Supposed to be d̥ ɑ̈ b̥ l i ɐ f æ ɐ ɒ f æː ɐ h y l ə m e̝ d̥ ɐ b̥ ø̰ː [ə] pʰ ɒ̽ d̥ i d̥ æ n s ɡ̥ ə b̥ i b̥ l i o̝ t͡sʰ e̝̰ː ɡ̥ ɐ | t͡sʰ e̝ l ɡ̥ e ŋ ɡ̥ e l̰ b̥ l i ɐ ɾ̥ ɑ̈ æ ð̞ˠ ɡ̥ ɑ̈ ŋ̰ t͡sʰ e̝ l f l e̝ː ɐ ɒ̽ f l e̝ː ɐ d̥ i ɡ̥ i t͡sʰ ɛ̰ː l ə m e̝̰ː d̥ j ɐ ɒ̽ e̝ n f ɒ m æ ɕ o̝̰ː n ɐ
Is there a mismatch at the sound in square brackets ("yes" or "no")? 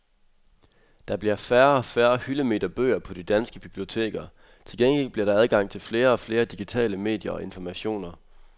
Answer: yes